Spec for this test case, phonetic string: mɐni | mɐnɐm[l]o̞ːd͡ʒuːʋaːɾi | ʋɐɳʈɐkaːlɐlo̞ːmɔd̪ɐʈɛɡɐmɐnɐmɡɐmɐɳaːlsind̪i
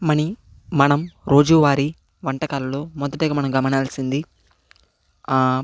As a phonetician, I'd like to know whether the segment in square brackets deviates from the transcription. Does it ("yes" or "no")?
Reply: yes